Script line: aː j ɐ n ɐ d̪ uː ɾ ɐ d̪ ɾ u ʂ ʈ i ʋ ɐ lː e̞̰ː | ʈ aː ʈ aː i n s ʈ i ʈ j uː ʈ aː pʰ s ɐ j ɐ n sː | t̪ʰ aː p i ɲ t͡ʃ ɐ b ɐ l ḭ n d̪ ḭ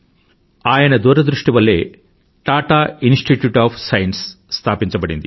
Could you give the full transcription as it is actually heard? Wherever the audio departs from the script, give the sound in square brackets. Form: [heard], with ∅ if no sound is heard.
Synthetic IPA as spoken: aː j ɐ n ɐ d̪ uː ɾ ɐ d̪ ɾ u ʂ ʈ i ʋ ɐ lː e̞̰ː | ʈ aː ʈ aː i n s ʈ i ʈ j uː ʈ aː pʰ s ɐ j ɐ n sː | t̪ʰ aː p i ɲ t͡ʃ ɐ b ɐ [ɽ] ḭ n d̪ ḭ